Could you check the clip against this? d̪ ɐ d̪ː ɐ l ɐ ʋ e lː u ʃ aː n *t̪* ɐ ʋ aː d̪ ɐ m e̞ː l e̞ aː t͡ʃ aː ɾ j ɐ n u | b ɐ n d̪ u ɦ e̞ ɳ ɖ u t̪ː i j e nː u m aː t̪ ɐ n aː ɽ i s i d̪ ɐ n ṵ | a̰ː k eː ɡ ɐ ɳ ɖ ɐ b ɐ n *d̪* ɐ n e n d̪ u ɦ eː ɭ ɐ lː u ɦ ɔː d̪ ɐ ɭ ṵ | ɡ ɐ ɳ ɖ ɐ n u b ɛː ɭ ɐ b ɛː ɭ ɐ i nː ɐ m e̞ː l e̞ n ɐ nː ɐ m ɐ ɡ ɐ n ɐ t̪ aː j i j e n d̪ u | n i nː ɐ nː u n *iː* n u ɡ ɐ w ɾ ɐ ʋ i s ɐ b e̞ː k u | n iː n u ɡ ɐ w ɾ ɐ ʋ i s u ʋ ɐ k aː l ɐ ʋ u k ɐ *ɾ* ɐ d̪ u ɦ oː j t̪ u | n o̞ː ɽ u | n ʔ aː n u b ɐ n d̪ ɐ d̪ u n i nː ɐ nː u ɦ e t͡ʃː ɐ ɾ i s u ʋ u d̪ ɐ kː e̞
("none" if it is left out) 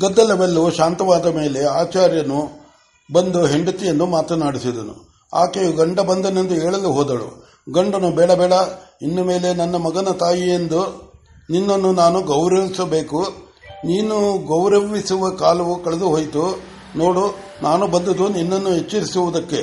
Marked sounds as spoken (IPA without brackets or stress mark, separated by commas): t̪, d̪, aː, ɭ